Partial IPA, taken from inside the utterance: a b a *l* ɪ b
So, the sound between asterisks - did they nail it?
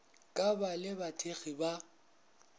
yes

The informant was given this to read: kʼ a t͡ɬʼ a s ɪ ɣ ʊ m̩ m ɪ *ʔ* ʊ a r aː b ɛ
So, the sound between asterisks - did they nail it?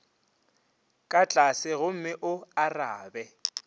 yes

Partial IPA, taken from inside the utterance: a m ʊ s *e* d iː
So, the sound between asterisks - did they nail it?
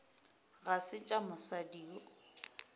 no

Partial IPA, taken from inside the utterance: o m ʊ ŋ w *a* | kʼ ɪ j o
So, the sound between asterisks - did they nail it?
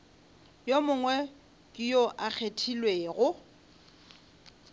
no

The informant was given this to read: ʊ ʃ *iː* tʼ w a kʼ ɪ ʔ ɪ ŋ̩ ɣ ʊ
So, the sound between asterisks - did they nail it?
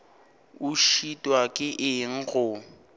no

